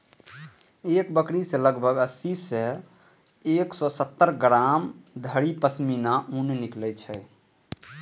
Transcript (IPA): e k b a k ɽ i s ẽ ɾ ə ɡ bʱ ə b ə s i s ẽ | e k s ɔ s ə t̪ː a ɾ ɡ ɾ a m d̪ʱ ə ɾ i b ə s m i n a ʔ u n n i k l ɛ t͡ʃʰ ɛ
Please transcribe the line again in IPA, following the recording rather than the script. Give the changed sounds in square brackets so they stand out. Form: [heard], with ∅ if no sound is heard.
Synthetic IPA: e k b [ə] k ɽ i s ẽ [l] ə ɡ bʱ ə [ɡ] ə s i s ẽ | e k s ɔ s ə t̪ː [ə] ɾ ɡ ɾ a m d̪ʱ ə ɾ i [p] ə s m i n a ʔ u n n i k l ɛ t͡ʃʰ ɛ